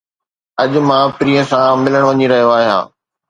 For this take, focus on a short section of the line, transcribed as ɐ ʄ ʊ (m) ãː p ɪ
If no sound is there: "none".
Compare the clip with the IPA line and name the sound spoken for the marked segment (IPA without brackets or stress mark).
m